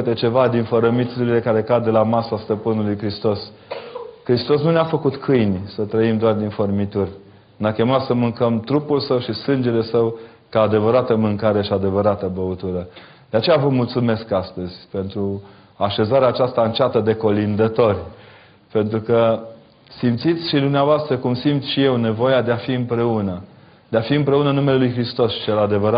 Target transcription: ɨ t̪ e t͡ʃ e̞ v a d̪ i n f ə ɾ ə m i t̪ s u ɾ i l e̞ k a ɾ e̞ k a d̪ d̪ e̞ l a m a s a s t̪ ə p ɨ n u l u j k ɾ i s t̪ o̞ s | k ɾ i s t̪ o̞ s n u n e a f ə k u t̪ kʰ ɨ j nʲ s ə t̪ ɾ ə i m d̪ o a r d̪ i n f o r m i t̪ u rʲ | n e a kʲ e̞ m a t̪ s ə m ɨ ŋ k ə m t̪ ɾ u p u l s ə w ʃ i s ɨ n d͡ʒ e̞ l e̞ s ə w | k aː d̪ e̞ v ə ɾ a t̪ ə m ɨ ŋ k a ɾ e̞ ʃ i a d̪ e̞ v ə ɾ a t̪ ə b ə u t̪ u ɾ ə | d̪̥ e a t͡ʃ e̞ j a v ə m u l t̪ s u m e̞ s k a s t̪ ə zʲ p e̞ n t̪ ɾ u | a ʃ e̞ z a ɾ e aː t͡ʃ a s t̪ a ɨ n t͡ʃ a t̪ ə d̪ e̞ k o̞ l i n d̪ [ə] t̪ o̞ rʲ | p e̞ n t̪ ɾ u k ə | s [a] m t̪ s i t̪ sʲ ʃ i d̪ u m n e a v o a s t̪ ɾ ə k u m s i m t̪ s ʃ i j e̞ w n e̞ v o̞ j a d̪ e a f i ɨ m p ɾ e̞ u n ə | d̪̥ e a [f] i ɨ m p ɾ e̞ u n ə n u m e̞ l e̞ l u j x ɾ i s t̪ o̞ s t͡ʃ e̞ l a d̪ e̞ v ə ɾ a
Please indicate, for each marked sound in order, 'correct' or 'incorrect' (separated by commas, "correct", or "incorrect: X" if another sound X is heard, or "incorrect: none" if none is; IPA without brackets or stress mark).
correct, incorrect: i, correct